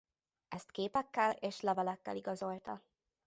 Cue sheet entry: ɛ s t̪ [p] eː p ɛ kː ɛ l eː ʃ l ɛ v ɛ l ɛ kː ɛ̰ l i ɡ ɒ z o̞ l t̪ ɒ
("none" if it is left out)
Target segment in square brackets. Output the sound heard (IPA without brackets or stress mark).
k